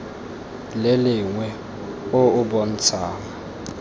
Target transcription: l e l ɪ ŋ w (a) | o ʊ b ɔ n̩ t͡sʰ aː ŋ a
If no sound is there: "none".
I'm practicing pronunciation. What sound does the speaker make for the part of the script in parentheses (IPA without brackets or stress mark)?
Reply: ɛ